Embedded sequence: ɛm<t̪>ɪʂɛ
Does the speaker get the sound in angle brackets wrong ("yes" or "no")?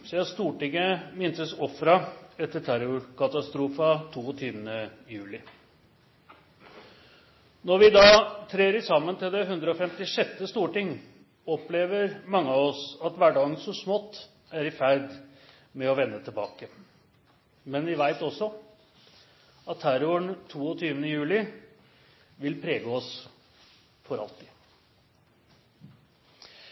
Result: no